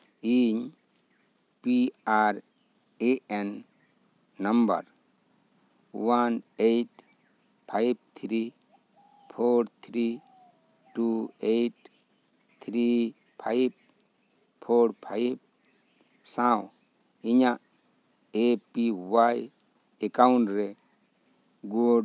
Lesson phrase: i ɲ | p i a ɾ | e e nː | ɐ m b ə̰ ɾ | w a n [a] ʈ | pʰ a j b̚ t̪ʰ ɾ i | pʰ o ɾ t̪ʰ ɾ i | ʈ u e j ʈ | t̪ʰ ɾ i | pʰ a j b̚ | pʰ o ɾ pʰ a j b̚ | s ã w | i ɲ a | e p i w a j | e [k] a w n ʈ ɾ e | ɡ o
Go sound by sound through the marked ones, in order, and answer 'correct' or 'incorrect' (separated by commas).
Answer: incorrect, correct